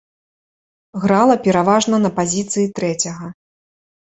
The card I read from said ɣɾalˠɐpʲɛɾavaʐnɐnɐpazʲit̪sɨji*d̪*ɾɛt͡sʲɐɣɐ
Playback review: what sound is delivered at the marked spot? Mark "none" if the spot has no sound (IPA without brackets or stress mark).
t̪